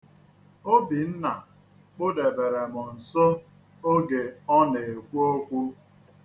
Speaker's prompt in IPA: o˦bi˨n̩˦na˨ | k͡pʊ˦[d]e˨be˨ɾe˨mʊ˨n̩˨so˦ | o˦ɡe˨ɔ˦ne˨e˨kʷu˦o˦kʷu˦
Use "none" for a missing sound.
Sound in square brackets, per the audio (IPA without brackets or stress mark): d